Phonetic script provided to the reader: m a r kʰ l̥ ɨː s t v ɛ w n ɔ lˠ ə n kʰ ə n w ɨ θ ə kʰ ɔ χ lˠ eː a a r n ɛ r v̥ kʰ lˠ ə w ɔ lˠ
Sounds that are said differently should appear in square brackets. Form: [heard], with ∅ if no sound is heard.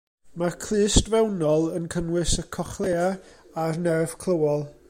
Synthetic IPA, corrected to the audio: m a r kʰ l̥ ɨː s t v ɛ w n ɔ lˠ ə n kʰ ə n w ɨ [s] ə kʰ ɔ χ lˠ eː a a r n ɛ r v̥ kʰ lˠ ə w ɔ lˠ